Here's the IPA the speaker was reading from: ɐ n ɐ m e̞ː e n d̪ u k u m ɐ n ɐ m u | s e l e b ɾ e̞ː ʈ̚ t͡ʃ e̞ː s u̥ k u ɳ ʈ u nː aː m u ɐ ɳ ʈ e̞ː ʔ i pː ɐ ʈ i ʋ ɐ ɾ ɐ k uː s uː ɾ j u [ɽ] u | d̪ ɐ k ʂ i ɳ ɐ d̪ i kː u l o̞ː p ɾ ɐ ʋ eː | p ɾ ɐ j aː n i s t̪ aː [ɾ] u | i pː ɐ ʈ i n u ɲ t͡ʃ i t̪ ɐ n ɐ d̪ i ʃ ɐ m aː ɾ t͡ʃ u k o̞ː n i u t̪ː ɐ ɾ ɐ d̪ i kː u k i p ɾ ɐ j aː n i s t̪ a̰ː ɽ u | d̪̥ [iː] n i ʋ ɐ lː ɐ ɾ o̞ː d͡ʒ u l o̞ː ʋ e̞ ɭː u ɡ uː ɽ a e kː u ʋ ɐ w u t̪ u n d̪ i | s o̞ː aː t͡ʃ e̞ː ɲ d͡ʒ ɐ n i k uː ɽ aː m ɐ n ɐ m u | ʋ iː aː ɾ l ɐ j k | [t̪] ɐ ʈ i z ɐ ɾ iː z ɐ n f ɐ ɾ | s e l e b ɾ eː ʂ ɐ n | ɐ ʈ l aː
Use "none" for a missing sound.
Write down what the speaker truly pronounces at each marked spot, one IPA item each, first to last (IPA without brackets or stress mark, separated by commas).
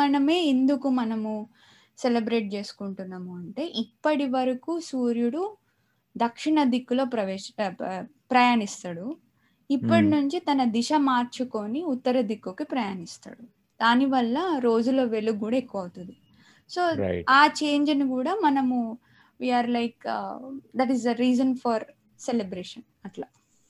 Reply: ɽ, ɽ, aː, d̪